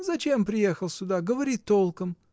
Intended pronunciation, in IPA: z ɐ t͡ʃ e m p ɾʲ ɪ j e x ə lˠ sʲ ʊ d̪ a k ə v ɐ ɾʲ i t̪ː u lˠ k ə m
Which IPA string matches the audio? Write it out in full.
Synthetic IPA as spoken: z ɐ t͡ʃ e m p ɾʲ ɪ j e x ə lˠ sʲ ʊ d̪ a ɡ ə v ɐ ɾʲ i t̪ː o lˠ k ə m